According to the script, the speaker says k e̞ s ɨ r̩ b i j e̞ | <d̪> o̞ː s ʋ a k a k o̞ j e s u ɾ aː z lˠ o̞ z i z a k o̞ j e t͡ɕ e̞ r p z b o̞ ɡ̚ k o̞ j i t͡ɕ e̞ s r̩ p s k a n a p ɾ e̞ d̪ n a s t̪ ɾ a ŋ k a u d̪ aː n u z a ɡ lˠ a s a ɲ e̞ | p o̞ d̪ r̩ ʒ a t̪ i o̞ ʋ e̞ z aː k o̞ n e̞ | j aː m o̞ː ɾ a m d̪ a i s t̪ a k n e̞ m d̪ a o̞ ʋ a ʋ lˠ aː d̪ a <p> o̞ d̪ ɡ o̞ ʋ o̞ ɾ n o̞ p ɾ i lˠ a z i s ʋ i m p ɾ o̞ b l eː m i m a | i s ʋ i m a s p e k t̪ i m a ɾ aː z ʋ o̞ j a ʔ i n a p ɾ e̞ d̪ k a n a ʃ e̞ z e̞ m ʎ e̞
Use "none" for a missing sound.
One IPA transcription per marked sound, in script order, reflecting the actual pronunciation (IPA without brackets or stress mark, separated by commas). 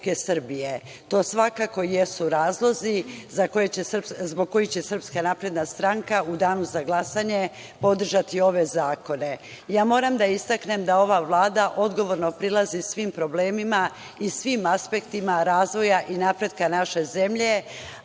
t̪, ʔ